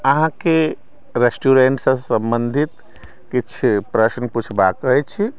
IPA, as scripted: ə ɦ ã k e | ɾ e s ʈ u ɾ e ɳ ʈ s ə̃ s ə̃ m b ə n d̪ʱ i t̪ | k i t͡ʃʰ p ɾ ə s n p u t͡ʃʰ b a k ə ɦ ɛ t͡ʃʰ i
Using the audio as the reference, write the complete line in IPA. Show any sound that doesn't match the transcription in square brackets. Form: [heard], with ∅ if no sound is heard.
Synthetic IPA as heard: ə ɦ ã k e | ɾ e s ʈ u ɾ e ɳ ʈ s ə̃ s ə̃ m b ə n d̪ʱ i t̪ | k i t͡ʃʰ p ɾ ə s n p u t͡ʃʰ b a k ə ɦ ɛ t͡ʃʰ i